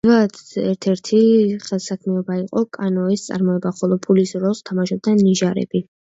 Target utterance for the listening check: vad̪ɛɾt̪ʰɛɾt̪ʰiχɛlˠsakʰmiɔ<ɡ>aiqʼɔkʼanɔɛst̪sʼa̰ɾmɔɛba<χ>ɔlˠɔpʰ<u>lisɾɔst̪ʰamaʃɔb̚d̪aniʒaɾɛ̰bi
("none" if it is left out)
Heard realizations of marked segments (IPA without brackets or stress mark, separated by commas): b, χ, u